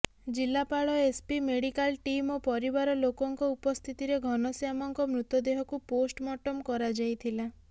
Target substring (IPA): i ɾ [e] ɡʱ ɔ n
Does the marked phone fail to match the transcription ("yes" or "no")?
no